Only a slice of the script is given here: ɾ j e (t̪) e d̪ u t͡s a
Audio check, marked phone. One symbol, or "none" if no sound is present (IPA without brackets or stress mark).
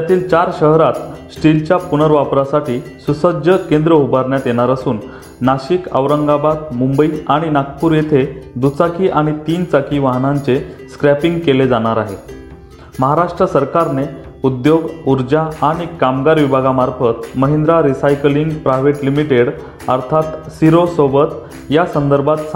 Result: t̪ʰ